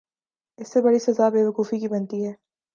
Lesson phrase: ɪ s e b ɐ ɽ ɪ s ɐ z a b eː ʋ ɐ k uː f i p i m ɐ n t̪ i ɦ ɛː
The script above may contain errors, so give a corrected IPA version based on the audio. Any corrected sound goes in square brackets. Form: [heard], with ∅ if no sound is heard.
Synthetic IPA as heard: ɪ [sː] e b ɐ ɽ [i] s ɐ z a b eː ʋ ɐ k uː f i [k] i [b] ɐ n t̪ i ɦ ɛː